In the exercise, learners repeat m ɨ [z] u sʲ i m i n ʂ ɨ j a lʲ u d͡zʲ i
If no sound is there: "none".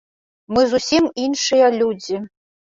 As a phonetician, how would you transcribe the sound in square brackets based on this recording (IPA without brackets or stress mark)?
z